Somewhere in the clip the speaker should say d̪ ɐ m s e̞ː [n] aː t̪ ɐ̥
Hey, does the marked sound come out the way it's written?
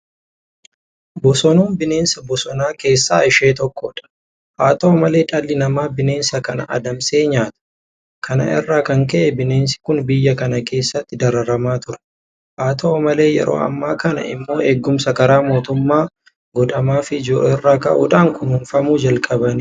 no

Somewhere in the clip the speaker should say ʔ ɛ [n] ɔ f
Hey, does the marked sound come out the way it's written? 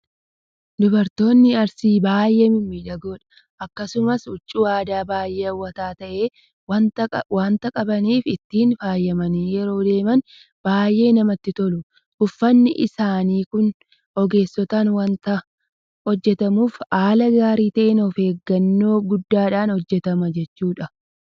yes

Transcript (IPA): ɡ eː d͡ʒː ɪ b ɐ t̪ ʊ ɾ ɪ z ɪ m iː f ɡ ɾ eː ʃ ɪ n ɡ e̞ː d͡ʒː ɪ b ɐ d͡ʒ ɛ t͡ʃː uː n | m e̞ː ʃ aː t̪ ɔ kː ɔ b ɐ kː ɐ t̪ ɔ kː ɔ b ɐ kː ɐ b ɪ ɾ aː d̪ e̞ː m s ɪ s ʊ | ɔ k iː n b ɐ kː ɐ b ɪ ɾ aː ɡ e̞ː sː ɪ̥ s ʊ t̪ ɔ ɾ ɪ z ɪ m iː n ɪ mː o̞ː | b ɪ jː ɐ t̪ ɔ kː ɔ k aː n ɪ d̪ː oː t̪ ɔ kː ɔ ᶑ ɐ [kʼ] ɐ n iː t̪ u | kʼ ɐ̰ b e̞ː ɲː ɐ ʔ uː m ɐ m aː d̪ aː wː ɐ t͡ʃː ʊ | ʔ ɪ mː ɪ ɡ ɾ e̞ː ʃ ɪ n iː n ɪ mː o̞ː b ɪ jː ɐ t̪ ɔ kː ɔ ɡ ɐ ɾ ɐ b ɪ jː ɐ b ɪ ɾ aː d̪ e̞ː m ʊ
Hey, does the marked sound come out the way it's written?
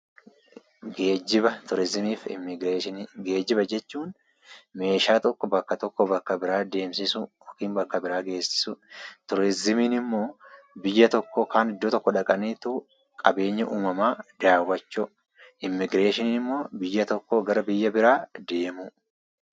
yes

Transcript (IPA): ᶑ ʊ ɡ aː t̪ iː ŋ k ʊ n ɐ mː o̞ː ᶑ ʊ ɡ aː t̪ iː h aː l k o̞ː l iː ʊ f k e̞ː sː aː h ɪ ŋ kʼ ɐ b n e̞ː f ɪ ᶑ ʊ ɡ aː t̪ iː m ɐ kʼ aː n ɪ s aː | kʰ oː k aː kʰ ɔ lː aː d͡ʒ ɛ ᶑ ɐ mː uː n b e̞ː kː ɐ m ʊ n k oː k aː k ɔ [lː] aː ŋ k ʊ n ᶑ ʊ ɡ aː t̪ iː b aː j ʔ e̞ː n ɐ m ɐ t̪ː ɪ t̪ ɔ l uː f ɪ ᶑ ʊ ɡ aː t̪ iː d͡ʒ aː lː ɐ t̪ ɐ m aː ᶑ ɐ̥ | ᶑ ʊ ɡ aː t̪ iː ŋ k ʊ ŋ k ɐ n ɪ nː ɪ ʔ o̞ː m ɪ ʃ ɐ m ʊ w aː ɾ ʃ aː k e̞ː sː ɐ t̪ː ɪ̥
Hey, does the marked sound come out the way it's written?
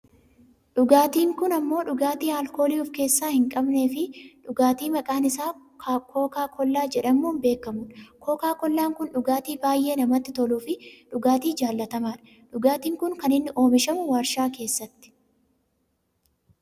yes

